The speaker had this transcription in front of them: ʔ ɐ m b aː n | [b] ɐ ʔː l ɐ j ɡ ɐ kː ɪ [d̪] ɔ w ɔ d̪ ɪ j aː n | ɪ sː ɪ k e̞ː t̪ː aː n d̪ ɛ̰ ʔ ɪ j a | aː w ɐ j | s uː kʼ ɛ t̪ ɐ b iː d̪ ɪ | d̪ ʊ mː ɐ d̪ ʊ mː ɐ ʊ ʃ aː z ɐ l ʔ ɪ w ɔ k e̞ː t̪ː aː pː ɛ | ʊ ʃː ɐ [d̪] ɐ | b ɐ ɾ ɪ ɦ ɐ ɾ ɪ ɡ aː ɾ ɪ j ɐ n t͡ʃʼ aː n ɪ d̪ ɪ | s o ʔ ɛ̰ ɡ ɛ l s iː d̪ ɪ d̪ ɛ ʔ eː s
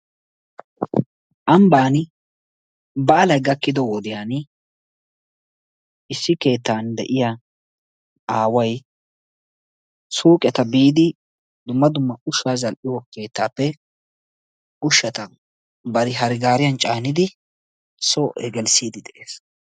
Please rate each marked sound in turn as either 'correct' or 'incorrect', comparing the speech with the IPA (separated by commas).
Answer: correct, correct, incorrect